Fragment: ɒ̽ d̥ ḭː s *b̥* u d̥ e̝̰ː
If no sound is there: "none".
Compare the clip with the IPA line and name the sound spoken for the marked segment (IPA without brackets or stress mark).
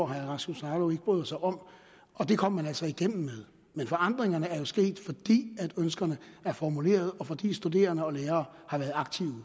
d̥